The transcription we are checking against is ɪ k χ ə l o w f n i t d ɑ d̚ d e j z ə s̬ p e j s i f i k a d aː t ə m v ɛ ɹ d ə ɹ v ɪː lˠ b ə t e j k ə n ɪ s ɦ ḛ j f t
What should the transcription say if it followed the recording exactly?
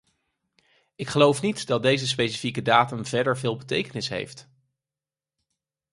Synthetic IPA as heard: ɪ k χ ə l o w f n i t d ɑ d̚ d e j z ə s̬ p e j s i f i k ə d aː t ə m v ɛ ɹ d ə ɹ v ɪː lˠ b ə t e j k ə n ɪ s ɦ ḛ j f t